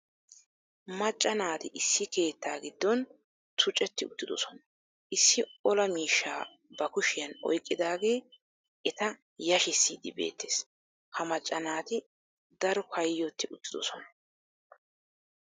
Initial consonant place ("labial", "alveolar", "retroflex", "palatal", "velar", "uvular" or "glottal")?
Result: labial